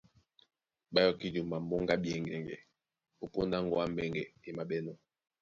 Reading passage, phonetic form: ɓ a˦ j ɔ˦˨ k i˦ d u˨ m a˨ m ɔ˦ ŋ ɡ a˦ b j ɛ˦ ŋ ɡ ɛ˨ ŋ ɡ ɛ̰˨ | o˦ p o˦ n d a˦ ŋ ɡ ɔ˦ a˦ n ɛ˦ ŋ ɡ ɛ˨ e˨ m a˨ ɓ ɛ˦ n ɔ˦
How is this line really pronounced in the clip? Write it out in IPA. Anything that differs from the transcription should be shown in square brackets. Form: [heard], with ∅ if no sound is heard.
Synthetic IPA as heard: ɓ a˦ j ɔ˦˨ k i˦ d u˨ m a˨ m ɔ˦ ŋ ɡ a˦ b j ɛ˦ ŋ ɡ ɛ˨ ŋ ɡ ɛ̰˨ | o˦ p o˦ n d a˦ ŋ ɡ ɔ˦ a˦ [m] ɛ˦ ŋ ɡ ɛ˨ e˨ m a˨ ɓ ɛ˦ n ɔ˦